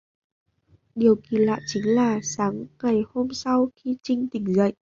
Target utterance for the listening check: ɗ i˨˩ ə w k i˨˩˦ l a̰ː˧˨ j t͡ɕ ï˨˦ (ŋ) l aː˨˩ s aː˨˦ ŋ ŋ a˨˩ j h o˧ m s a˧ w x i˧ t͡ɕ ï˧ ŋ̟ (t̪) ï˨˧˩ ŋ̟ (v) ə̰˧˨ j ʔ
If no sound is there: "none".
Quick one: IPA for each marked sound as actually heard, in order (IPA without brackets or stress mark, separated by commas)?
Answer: ŋ, t̪, z